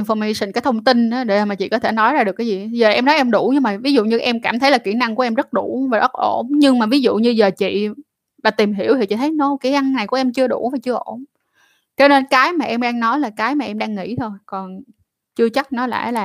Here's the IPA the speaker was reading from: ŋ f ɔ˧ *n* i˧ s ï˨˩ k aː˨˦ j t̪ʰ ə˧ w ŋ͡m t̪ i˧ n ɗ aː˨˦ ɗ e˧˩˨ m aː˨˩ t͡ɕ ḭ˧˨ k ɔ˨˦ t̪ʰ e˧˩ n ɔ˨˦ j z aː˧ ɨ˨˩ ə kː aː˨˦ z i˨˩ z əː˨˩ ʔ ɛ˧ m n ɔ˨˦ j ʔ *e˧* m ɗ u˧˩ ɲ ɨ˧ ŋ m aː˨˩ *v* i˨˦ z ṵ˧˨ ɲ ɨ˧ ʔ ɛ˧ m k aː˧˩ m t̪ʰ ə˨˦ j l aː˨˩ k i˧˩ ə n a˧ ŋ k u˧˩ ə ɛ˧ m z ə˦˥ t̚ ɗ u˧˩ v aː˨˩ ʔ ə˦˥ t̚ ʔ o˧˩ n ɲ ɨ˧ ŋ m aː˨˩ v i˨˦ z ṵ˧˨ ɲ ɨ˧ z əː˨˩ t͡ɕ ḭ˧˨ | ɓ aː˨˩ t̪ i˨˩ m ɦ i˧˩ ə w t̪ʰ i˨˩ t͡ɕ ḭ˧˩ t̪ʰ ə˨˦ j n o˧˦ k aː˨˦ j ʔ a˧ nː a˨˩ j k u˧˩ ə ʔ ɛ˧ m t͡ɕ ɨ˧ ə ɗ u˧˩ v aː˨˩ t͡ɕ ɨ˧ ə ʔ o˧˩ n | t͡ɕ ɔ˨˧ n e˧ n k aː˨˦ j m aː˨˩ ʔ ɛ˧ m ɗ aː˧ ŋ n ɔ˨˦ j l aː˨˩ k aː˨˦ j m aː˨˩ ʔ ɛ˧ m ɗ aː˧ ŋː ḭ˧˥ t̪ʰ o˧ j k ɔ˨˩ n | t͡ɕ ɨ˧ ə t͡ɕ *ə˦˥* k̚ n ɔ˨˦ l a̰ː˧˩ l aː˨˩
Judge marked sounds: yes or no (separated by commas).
no, no, yes, no